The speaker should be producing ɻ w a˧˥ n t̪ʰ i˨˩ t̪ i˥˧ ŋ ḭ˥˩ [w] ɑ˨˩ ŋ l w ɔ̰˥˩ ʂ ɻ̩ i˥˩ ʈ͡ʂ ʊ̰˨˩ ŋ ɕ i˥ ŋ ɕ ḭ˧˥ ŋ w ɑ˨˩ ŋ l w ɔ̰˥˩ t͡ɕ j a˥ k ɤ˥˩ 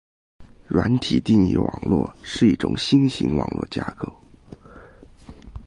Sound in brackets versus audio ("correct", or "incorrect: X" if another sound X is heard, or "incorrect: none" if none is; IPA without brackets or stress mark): correct